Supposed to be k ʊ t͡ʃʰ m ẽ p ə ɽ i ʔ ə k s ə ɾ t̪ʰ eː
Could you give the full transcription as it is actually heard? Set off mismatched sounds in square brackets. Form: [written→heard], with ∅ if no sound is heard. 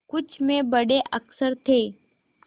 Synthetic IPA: k ʊ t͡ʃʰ m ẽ [p→b] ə ɽ [i→e] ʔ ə k s ə ɾ t̪ʰ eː